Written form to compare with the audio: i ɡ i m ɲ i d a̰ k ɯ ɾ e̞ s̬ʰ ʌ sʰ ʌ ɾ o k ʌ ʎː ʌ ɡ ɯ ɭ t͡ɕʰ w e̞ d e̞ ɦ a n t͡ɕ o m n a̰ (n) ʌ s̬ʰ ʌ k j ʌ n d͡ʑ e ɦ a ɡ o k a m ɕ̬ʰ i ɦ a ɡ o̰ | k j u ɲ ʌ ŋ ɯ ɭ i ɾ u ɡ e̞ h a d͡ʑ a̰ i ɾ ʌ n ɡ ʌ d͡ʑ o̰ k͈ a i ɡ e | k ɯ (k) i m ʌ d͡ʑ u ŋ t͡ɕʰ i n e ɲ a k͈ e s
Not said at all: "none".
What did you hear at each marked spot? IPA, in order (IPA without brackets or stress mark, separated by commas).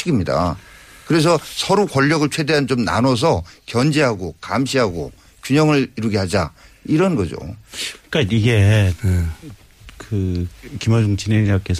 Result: n, k